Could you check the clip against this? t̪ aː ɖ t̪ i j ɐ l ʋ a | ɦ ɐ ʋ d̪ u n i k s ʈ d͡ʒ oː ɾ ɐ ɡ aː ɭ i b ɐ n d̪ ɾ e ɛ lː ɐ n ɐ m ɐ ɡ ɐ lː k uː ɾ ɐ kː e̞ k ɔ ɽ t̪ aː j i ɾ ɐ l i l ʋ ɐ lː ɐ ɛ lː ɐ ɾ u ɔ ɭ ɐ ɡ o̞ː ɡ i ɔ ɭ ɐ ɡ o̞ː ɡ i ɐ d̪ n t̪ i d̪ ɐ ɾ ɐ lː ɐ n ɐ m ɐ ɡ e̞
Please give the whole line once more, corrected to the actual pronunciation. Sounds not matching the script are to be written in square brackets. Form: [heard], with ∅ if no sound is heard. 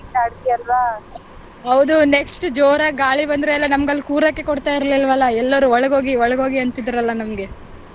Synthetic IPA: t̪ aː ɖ t̪ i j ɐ l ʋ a | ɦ ɐ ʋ d̪ u n [e] k s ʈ d͡ʒ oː ɾ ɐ ɡ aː ɭ i b ɐ n d̪ ɾ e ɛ lː ɐ n ɐ m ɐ ɡ ɐ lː k uː ɾ ɐ kː e̞ k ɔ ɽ t̪ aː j i ɾ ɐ l i l ʋ ɐ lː ɐ ɛ lː ɐ ɾ u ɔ ɭ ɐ ɡ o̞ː ɡ i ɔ ɭ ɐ ɡ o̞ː ɡ i ɐ [∅] n t̪ i d̪ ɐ ɾ ɐ lː ɐ n ɐ m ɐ ɡ e̞